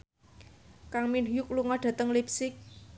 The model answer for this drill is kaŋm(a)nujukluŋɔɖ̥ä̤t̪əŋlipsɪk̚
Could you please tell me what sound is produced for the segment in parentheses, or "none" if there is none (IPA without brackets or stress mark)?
i